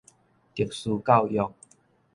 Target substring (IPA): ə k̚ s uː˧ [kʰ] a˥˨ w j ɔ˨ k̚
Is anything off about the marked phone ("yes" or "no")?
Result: yes